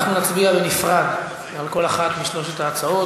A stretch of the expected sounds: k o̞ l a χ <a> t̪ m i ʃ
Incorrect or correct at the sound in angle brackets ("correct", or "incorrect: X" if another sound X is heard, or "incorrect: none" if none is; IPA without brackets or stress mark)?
correct